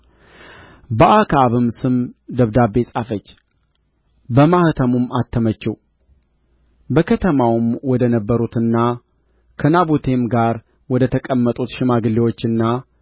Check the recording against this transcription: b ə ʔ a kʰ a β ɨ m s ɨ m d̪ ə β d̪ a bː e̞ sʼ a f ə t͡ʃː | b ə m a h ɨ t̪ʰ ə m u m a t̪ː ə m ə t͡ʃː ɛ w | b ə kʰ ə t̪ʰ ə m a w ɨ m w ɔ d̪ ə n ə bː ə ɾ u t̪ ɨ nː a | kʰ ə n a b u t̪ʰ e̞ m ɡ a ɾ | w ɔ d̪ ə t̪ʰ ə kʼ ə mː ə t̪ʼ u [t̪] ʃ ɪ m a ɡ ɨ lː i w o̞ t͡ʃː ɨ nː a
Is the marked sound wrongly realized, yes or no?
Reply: no